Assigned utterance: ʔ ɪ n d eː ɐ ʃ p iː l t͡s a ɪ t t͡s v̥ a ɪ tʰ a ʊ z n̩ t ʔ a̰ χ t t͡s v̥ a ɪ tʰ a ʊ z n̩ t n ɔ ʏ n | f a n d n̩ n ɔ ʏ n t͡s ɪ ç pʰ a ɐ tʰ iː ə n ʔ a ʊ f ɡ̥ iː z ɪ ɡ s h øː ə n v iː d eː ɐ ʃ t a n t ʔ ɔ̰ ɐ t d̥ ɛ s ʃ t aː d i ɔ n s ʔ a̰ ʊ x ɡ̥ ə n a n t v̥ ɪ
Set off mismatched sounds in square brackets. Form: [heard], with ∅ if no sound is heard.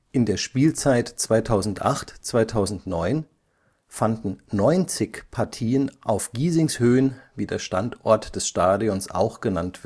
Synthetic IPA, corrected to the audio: ʔ ɪ n d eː ɐ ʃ p iː l t͡s a ɪ t t͡s v̥ a ɪ tʰ a ʊ z n̩ t ʔ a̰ χ t t͡s v̥ a ɪ tʰ a ʊ z n̩ t n ɔ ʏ n | f a n d n̩ n ɔ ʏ n t͡s ɪ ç pʰ a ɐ tʰ iː ə n ʔ a ʊ f ɡ̥ iː z ɪ [ŋ] s h øː ə n v iː d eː ɐ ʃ t a n t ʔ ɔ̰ ɐ t d̥ ɛ s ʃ t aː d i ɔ n s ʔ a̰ ʊ x ɡ̥ ə n a n t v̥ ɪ